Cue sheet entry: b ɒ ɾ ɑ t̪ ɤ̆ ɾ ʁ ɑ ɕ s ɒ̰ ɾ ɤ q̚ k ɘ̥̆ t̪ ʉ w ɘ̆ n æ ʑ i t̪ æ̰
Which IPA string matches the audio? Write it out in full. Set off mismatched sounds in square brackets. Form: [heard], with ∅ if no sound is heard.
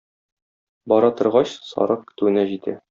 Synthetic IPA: b ɒ ɾ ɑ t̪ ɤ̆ ɾ ʁ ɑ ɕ s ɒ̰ ɾ ɤ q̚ k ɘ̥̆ t̪ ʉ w ɘ̆ n æ ʑ i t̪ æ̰